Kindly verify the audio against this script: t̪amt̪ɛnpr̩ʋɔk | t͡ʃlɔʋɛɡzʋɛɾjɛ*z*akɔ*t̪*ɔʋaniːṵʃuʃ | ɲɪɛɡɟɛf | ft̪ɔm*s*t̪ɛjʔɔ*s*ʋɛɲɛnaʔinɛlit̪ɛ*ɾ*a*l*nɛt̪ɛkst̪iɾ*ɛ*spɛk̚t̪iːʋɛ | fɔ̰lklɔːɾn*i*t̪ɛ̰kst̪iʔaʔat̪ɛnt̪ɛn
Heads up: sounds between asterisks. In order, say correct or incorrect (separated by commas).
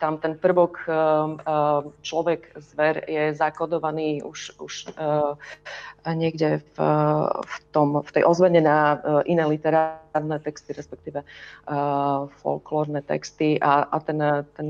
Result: correct, incorrect, incorrect, incorrect, correct, incorrect, correct, incorrect